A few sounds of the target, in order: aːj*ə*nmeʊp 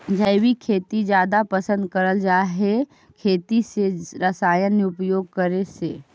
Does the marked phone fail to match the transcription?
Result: no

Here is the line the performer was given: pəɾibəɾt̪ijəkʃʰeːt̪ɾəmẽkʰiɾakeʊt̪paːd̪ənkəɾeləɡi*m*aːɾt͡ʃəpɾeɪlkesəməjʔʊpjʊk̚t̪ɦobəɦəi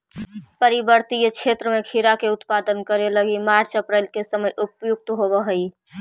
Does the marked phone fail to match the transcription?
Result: no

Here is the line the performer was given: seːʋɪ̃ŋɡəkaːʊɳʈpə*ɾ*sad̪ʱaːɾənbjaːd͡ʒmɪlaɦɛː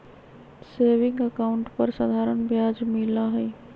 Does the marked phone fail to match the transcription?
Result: no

